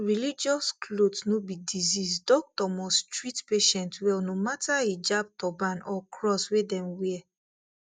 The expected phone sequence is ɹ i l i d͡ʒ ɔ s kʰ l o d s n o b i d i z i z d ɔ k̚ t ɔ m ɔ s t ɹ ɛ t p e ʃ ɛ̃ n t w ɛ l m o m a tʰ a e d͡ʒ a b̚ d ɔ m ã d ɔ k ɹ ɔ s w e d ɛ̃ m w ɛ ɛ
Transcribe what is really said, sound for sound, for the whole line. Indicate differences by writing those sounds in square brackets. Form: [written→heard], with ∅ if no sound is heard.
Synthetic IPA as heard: ɹ i l i d͡ʒ ɔ s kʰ l o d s n o b i d i z i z d ɔ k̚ t ɔ m ɔ s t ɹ [ɛ→i] t p e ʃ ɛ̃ n t w ɛ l [m→n] o m a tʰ a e d͡ʒ a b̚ [d→t] ɔ [m→b] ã [d→n] ɔ k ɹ ɔ s w e d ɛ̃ m w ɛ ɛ